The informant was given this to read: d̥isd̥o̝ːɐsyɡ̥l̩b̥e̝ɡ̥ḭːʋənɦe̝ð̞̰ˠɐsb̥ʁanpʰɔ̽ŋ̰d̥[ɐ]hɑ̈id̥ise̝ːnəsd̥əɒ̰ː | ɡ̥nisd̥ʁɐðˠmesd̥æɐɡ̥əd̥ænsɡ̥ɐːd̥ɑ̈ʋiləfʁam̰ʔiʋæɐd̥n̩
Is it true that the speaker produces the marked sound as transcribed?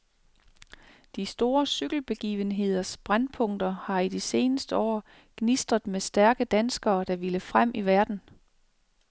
yes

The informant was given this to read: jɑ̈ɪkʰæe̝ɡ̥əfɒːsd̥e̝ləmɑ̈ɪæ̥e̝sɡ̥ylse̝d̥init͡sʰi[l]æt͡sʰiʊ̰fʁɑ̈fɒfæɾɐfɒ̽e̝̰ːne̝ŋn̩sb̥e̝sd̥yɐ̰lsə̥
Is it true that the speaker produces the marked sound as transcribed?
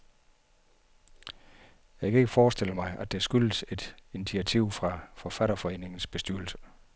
no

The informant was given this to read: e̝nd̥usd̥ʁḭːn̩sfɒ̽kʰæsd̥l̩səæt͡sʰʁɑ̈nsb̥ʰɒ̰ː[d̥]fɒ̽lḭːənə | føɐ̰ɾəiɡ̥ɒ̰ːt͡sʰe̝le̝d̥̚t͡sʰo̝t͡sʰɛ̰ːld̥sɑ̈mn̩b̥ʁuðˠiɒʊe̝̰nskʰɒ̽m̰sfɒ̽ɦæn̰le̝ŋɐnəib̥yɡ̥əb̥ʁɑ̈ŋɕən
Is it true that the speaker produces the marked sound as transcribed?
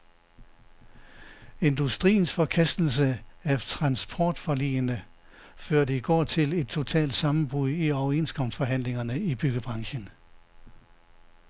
yes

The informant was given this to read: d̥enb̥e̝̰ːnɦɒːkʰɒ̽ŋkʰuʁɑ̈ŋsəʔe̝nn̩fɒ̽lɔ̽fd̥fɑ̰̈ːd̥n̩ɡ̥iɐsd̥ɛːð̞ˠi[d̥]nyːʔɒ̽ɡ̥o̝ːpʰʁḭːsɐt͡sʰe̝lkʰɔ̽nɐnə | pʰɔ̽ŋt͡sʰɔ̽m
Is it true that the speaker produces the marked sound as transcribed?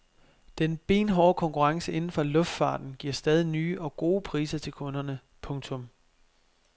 no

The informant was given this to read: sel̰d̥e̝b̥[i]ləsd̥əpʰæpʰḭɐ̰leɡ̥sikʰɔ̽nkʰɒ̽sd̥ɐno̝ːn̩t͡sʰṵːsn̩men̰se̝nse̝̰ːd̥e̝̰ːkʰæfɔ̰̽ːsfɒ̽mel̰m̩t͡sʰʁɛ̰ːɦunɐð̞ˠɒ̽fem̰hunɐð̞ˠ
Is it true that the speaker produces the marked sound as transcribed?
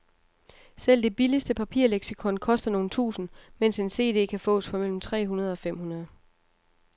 yes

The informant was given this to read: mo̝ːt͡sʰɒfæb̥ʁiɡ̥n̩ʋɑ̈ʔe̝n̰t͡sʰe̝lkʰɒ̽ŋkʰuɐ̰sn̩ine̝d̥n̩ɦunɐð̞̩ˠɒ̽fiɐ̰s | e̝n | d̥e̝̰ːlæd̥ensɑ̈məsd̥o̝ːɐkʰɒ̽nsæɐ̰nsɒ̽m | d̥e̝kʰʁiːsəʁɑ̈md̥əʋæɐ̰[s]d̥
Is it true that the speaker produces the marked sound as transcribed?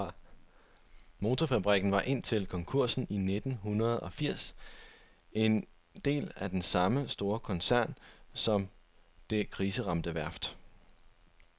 no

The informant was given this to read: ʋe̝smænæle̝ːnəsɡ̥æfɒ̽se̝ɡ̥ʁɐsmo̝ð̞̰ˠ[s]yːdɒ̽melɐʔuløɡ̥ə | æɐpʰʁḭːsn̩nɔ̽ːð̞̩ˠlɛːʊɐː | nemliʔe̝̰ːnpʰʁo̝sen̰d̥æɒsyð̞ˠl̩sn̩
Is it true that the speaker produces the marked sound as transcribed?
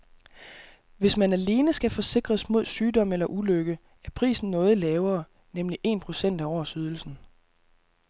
yes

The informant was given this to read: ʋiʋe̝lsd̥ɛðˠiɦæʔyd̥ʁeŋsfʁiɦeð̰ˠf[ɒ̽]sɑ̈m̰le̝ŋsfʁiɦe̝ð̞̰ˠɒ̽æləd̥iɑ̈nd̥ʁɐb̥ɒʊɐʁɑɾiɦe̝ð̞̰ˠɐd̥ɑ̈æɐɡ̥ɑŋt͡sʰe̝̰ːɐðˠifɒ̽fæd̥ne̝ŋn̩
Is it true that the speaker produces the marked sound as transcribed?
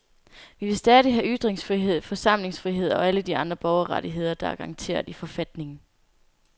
yes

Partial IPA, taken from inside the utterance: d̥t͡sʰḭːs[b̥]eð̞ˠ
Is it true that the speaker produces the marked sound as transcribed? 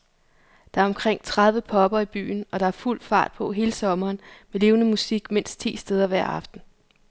no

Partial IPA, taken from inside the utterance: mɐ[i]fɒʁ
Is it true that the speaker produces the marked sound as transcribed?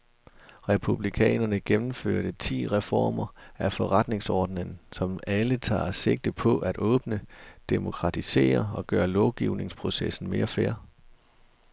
no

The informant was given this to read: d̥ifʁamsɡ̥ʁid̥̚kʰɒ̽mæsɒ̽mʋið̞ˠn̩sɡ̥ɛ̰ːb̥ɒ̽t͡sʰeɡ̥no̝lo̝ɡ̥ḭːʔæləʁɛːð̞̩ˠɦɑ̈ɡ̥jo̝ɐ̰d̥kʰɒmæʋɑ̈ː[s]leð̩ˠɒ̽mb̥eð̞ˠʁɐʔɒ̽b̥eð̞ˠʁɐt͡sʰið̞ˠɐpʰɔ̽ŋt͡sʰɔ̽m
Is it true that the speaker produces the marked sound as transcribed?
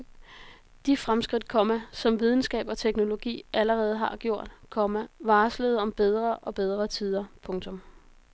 yes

